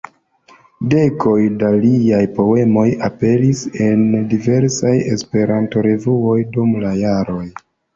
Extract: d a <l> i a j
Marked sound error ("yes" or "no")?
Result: no